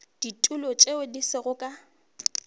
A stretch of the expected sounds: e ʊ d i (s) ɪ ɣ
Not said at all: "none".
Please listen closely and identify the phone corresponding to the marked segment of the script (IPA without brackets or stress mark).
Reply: s